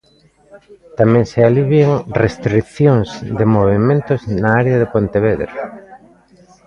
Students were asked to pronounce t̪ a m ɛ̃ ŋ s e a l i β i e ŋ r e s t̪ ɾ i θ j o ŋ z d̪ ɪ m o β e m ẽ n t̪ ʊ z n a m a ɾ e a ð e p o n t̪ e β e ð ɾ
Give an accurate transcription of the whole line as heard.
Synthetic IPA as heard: t̪ a m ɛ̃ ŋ s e a l i β j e ŋ r e s t̪ ɾ i θ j o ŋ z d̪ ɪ m o β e m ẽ n t̪ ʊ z n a a ɾ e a ð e p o n t̪ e β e ð ɾ